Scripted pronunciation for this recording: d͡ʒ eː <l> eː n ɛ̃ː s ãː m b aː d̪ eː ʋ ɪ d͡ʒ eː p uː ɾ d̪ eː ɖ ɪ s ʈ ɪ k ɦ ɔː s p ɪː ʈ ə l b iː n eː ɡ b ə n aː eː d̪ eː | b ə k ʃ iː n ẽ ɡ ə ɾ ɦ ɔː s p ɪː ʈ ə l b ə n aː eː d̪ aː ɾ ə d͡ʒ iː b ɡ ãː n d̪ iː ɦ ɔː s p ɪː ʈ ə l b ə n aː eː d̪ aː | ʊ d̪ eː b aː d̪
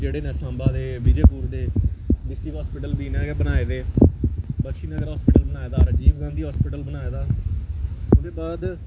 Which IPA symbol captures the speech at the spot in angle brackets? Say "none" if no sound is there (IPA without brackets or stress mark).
ɽ